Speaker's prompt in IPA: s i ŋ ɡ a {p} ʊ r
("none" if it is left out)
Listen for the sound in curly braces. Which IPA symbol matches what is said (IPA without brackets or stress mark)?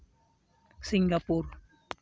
p